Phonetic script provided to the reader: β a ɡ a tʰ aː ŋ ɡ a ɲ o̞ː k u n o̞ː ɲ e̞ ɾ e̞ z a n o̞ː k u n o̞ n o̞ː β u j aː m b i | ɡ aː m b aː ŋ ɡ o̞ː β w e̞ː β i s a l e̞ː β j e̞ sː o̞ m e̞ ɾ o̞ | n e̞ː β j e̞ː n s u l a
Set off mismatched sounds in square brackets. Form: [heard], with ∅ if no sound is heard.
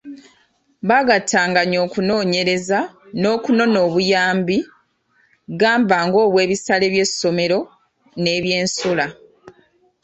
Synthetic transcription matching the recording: β a ɡ a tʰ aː ŋ ɡ a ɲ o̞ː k u n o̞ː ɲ e̞ ɾ e̞ z a n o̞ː k u n o̞ n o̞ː β u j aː m b i | ɡ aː m b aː ŋ ɡ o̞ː β w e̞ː β i s a l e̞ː β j e̞ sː o̞ m e̞ ɾ o̞ | n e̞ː β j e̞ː n s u l a